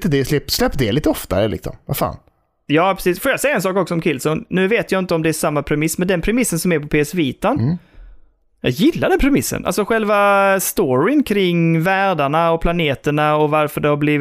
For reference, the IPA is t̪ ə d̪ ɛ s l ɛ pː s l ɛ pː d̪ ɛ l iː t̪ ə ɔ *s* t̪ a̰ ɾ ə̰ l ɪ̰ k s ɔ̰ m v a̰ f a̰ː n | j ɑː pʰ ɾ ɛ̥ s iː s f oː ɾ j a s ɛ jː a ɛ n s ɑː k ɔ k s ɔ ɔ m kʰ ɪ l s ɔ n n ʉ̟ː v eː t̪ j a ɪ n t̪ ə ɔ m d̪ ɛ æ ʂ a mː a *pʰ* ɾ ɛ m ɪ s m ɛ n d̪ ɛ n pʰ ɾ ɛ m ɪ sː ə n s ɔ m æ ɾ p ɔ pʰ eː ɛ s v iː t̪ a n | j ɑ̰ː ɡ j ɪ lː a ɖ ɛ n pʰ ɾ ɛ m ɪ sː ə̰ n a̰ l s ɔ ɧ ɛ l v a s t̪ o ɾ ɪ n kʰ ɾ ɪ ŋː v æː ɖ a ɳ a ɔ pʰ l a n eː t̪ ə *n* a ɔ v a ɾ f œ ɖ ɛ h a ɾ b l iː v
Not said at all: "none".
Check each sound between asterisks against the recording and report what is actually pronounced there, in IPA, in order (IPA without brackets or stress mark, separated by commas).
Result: f, pʰ, ɳ